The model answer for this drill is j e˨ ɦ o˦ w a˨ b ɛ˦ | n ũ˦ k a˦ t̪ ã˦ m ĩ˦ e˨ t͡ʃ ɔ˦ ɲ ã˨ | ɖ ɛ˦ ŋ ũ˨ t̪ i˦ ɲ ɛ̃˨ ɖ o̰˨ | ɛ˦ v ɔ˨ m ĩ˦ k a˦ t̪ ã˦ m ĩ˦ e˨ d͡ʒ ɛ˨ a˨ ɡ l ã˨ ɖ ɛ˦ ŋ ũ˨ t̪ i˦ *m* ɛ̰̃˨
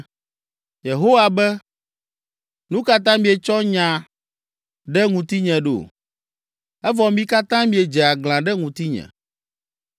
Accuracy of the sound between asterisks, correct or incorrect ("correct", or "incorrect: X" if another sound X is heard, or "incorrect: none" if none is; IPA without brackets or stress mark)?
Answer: incorrect: ɲ